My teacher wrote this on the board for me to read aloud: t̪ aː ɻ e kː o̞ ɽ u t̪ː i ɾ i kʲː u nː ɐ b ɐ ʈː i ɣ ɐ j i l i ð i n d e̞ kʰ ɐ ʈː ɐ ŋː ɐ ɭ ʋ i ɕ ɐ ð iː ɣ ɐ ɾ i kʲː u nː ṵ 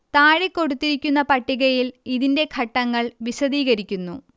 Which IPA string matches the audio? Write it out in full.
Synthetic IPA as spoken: t̪ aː ɻ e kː o̞ ɽ u t̪ː i ɾ i kʲː u nː ɐ p ɐ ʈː i ɣ ɐ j i l i ð i n d e̞ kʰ ɐ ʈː ɐ ŋː ɐ ɭ ʋ i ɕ ɐ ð iː ɣ ɐ ɾ i kʲː u nː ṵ